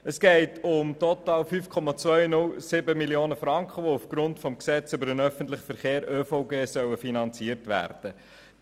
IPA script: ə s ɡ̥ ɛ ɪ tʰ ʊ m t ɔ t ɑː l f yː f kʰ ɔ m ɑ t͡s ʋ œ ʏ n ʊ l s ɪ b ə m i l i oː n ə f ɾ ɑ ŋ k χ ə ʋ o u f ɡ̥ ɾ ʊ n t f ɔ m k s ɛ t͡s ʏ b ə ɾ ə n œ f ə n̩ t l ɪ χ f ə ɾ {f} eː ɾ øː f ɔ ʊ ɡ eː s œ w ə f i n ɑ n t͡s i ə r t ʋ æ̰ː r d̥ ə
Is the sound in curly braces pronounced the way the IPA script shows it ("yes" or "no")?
no